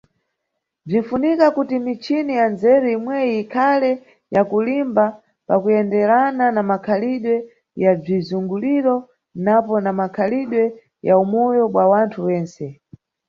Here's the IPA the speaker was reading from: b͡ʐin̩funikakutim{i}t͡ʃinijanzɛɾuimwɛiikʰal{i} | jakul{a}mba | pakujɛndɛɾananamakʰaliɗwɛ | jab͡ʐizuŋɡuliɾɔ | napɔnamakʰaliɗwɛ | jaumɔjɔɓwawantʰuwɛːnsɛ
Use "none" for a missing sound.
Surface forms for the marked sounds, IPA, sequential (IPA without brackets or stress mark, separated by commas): i, ɛ, i